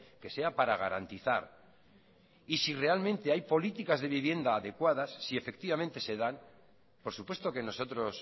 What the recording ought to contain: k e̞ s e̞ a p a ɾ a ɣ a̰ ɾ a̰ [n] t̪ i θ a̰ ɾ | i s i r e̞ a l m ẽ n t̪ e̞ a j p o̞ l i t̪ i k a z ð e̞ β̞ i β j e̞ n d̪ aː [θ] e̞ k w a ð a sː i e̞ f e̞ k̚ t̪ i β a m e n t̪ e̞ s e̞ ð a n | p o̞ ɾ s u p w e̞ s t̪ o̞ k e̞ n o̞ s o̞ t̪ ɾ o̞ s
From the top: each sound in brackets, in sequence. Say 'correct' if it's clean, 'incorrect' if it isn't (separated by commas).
correct, incorrect